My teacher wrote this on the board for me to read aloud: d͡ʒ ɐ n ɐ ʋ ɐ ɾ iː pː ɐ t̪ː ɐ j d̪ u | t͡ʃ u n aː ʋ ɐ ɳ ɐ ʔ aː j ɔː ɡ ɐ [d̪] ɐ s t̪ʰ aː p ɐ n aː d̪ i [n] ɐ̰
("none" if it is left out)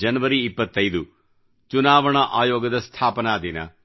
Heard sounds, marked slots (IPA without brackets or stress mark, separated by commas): d̪, n